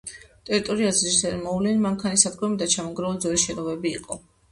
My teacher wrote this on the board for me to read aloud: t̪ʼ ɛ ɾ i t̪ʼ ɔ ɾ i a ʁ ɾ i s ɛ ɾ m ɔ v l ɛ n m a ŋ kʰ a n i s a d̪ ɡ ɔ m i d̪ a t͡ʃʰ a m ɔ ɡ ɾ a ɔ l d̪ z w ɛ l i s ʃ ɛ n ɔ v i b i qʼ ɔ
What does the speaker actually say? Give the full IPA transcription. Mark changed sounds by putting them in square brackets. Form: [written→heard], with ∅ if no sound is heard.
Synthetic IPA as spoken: t̪ʼ ɛ ɾ i t̪ʼ ɔ ɾ i a [ʁ→z] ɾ i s ɛ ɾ m ɔ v l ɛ n m a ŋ kʰ a n i s a d̪ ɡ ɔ m i d̪ a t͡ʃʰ a m ɔ ɡ ɾ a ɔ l d̪ z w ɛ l i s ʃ ɛ n ɔ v [i→ɛ] b [i→iː] qʼ ɔ